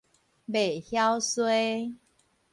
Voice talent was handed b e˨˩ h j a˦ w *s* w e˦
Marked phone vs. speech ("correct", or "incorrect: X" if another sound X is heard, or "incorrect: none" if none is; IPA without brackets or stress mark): correct